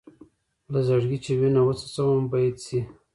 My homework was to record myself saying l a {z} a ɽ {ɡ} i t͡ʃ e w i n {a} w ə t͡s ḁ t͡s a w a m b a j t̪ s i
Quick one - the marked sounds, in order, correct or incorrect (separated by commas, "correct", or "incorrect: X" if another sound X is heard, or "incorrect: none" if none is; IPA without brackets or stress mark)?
correct, correct, correct